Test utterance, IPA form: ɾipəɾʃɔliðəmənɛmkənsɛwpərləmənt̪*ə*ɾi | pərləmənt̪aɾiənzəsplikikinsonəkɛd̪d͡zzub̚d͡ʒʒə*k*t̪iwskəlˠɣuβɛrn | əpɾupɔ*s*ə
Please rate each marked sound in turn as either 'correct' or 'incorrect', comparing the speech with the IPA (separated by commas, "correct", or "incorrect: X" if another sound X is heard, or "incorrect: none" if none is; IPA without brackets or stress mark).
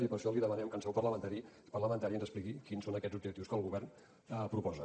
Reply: incorrect: a, correct, incorrect: z